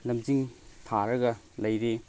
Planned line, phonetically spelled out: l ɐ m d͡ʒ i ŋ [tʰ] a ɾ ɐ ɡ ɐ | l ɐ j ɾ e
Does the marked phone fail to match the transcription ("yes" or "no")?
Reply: no